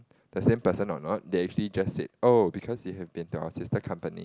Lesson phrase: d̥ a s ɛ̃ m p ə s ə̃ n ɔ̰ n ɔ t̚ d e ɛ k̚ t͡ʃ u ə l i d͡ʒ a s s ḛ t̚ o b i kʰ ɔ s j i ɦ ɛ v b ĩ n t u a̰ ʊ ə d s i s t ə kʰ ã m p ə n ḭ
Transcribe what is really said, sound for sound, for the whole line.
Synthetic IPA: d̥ ə s ẽ m p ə s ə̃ n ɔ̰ n ɔ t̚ d e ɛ k̚ t͡ʃ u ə l i d͡ʒ a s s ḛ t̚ o b i kʰ ɔ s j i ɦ ɛ v b ĩ n t u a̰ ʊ ə s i s t ə kʰ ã m p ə n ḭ